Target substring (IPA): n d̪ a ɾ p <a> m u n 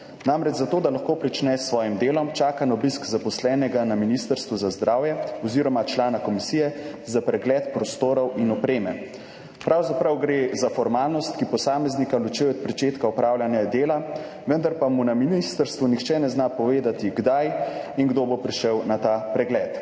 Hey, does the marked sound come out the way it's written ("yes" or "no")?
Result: yes